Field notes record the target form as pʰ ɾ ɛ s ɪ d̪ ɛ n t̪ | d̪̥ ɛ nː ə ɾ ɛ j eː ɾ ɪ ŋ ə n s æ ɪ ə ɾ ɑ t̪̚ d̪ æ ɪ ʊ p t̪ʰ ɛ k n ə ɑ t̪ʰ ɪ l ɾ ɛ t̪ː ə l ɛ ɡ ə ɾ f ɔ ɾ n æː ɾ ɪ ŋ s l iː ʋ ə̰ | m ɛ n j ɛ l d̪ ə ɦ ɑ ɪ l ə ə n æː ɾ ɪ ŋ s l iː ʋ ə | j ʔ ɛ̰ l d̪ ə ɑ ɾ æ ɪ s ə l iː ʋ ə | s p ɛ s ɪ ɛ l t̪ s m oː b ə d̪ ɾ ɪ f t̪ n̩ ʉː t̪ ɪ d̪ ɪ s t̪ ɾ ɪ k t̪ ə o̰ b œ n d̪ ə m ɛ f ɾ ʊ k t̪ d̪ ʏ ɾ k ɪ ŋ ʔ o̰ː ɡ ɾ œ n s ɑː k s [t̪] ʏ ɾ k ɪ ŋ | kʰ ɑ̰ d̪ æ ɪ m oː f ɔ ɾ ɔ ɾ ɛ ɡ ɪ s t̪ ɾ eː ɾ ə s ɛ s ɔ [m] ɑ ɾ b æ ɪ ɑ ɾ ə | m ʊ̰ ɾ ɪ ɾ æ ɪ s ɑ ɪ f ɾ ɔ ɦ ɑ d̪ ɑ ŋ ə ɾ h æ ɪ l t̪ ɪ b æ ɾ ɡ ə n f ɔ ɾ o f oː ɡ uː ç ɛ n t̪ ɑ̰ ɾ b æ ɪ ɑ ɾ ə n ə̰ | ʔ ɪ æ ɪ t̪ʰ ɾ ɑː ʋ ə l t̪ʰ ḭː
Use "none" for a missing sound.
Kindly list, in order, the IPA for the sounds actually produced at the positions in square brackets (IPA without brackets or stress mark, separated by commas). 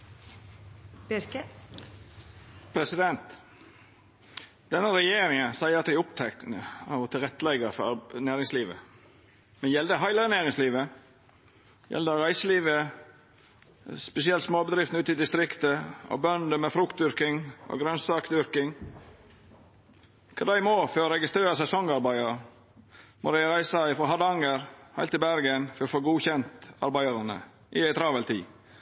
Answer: d̪, ŋ